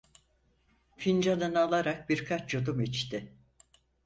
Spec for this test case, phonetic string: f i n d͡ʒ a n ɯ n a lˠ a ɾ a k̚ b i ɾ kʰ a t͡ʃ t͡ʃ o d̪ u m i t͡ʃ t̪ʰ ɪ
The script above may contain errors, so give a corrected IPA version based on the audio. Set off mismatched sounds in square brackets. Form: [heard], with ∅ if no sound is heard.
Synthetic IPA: f i n d͡ʒ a n ɯ n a lˠ a ɾ a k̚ b i ɾ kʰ a t͡ʃ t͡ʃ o d̪ u m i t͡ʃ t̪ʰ ɪ